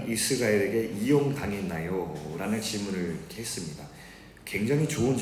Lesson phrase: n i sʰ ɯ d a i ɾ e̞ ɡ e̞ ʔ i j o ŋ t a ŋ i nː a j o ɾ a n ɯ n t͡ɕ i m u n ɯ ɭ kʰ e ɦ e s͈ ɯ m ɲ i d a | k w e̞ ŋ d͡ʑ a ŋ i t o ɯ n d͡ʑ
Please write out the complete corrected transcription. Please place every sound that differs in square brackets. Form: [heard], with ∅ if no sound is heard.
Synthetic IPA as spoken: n i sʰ ɯ [ɡ] a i ɾ e̞ ɡ e̞ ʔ i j o ŋ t a ŋ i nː a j o ɾ a n ɯ n t͡ɕ i m u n ɯ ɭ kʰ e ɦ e s͈ ɯ m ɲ i d a | k w e̞ ŋ d͡ʑ a ŋ i [t͡ɕ] o ɯ n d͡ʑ